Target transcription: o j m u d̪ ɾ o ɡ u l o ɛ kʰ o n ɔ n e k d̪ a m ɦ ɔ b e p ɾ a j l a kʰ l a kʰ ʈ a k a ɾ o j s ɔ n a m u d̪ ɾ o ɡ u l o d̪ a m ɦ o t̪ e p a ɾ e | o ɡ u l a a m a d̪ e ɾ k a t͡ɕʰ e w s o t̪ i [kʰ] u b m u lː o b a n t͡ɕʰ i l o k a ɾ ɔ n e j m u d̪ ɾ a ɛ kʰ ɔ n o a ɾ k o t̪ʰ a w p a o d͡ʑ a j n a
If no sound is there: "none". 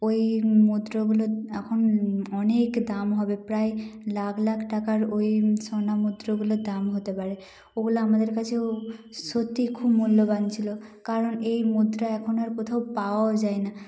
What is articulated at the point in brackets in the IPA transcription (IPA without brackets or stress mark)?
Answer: kʰ